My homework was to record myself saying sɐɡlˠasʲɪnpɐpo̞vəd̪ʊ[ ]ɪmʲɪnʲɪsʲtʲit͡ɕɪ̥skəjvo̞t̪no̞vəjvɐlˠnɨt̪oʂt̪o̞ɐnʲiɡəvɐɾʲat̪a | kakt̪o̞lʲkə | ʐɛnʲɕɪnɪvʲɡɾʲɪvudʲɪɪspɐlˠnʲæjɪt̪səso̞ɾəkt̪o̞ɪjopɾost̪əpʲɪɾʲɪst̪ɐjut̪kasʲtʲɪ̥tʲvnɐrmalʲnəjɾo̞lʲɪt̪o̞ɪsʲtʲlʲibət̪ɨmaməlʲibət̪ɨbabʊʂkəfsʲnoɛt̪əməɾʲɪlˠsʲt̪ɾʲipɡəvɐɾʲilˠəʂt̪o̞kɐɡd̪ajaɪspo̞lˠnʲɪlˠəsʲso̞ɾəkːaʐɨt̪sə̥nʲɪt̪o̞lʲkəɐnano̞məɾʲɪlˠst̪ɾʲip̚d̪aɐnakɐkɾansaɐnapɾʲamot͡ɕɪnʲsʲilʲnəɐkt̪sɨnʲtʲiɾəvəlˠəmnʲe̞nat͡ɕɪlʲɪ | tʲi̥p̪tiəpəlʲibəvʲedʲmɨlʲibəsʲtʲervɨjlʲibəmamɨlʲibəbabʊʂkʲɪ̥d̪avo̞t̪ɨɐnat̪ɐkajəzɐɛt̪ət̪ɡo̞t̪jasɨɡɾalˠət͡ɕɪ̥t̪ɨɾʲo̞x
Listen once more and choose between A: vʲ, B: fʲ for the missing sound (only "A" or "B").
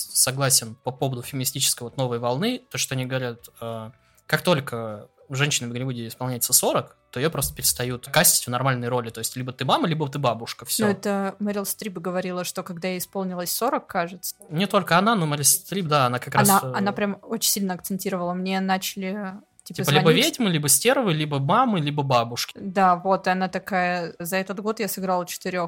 B